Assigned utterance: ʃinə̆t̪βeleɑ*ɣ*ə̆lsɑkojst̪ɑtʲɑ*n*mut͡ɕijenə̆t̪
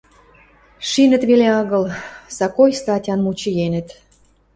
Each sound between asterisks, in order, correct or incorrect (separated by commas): correct, correct